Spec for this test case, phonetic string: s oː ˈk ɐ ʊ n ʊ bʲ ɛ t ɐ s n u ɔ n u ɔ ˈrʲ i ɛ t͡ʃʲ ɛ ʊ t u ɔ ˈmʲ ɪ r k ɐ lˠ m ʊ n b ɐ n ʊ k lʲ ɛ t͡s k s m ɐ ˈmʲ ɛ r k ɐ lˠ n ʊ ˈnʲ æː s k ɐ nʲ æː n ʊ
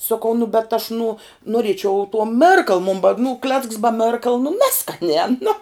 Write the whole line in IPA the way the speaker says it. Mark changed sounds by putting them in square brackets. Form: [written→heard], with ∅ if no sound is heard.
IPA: s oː ˈk ɐ ʊ n ʊ bʲ ɛ t ɐ [s→ʃ] n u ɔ n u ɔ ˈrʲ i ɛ t͡ʃʲ ɛ ʊ t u ɔ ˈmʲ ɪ r k ɐ lˠ m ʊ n b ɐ n ʊ k lʲ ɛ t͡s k s [m→b] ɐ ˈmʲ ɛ r k ɐ lˠ n ʊ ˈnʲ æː s k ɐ nʲ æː n ʊ